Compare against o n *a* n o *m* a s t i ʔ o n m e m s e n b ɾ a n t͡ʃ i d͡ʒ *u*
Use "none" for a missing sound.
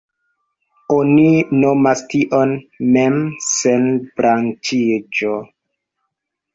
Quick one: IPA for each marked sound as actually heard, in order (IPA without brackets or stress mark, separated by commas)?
i, m, o